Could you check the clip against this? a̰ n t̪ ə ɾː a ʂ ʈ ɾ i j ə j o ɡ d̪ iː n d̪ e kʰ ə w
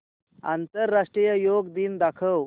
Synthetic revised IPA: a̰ n t̪ ə ɾː a ʂ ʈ ɾ i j ə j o ɡ d̪ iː n d̪ a kʰ ə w